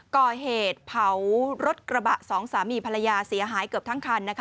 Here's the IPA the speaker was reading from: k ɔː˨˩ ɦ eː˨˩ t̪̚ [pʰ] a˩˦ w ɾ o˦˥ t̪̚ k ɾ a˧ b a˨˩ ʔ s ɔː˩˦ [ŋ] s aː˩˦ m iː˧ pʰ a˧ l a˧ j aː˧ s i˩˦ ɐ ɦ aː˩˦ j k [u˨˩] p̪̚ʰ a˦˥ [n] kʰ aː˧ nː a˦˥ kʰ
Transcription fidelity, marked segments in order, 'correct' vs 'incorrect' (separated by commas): correct, correct, incorrect, incorrect